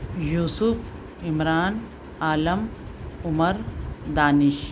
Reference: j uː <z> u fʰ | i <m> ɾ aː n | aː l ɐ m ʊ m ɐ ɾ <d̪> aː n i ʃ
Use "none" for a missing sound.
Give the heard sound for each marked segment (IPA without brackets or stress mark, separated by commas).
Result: s, m, d̪